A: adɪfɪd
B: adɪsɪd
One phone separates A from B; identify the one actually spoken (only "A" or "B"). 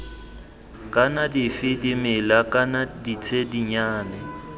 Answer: A